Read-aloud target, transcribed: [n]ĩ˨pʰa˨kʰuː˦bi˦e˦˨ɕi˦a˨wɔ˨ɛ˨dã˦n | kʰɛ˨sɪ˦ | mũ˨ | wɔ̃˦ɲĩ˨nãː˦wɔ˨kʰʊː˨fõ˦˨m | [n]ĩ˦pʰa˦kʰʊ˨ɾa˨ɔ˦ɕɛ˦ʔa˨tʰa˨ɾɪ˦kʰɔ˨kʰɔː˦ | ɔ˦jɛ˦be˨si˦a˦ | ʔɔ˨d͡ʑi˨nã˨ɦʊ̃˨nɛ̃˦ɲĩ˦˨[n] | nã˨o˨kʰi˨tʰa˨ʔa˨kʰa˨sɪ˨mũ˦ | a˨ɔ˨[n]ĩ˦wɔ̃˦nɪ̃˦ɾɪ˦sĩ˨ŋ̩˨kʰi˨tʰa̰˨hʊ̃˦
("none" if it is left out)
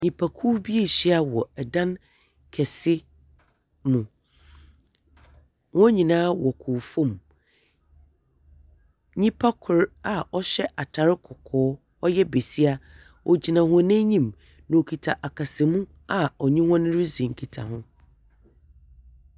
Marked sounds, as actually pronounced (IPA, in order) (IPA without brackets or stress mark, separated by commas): ɲ, ɲ, m, ɲ